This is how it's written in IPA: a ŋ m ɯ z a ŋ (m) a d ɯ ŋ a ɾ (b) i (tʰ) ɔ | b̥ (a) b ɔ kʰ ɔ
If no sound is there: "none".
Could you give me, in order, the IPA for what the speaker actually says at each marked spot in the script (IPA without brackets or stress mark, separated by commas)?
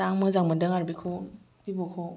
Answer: m, b, kʰ, i